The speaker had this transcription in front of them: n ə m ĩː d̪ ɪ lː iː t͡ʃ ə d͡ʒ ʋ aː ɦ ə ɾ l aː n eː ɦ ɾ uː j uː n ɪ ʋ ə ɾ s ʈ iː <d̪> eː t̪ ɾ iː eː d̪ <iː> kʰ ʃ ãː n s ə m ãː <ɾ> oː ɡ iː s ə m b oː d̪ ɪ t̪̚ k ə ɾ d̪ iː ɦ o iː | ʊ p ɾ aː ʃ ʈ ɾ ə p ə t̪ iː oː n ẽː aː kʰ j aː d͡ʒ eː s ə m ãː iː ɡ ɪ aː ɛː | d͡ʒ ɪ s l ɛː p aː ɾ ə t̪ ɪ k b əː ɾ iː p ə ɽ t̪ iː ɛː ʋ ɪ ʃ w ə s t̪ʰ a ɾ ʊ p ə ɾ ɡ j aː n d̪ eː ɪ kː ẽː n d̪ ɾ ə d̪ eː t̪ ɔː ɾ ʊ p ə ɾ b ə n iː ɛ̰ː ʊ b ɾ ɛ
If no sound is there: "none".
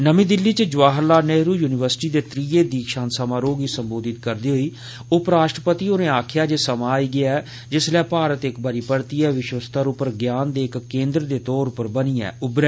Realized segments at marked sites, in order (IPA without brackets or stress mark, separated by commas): d̪, iː, ɾ